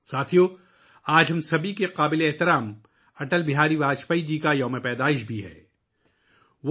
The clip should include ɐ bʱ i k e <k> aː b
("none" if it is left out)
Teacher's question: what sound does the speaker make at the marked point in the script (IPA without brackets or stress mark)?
q